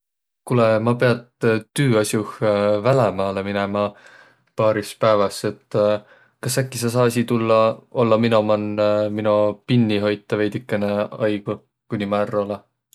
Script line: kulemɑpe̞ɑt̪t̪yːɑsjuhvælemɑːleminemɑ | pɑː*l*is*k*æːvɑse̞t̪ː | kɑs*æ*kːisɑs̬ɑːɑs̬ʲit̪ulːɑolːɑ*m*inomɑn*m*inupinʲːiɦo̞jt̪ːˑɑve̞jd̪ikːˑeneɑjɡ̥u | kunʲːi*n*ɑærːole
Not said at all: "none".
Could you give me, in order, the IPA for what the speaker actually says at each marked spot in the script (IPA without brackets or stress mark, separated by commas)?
ɾ, p, æ, m, m, m